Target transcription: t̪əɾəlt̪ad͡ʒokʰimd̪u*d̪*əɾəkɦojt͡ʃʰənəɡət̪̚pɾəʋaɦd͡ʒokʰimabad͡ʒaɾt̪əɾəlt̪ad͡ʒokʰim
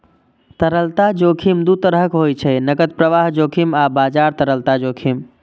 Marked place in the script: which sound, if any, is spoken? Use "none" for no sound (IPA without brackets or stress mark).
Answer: t̪